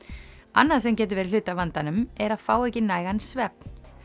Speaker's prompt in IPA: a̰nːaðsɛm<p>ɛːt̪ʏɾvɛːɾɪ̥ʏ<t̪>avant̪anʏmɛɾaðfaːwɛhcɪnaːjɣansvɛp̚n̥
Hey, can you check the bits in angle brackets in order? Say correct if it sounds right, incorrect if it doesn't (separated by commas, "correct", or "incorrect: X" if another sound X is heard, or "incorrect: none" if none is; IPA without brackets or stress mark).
incorrect: c, correct